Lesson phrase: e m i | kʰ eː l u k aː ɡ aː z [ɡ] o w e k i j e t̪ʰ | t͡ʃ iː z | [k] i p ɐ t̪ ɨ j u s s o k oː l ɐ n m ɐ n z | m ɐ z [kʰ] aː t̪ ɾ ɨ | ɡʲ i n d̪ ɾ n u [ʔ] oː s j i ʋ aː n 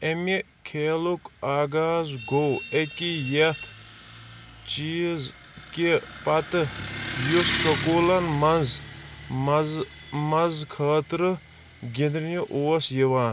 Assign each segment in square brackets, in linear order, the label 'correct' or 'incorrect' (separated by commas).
correct, correct, correct, correct